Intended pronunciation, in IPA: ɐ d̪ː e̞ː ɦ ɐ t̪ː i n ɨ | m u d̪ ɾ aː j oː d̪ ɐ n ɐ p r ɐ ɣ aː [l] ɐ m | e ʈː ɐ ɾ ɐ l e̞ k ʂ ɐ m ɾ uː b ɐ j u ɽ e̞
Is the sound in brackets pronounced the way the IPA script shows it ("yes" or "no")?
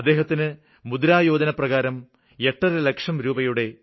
no